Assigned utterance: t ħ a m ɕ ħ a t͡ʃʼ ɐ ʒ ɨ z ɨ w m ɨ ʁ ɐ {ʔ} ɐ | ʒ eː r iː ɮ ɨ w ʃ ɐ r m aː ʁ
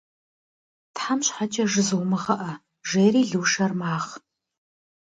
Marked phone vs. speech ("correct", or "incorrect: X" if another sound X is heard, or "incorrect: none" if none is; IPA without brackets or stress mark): correct